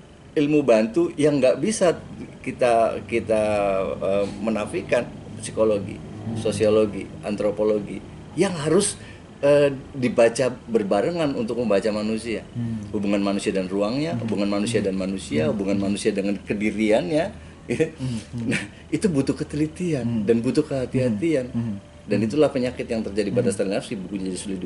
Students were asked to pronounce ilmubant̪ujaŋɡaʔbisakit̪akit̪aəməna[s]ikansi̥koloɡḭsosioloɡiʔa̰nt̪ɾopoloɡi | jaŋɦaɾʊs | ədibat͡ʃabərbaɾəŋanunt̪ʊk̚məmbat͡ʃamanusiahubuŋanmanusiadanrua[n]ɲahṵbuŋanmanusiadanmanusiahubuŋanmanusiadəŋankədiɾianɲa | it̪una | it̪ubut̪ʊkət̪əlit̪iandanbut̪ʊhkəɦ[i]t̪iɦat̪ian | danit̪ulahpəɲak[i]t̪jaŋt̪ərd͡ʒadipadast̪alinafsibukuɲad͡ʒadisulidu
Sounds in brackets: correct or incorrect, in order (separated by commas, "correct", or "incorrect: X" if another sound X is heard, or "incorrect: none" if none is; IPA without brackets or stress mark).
incorrect: f, incorrect: ŋ, incorrect: a, incorrect: ɪ